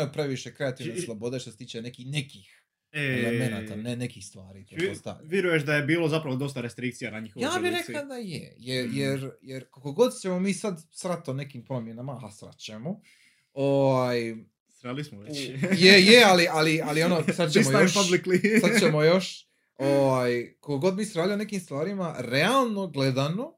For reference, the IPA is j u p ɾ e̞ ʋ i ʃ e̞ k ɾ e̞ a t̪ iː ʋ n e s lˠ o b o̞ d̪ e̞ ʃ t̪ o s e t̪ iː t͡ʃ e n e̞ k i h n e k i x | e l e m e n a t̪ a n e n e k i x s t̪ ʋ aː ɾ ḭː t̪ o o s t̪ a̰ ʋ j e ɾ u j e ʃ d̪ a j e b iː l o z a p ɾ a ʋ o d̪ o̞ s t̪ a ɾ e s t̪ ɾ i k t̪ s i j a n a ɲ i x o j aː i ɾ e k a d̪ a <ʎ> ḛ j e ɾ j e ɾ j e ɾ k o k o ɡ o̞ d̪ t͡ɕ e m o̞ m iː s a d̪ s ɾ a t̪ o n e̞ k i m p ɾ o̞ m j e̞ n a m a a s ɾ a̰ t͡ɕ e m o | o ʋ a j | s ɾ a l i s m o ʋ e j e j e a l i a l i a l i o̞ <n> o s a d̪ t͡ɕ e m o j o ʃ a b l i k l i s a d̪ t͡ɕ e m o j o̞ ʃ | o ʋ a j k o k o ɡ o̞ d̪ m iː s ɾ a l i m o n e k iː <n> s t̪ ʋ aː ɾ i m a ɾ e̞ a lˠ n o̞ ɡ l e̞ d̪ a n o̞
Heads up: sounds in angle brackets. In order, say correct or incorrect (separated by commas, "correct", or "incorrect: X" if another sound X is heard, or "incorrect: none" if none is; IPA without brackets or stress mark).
incorrect: j, correct, incorrect: m